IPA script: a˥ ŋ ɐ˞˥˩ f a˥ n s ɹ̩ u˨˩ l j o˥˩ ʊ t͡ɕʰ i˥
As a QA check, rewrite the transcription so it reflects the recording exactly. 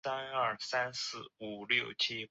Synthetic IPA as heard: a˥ n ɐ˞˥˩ s a˥ n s ɹ̩ u˨˩ l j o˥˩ ʊ t͡ɕʰ i˥